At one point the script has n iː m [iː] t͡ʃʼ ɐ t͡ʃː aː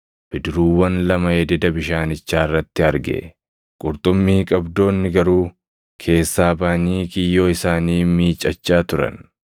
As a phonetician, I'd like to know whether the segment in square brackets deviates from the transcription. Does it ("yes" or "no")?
no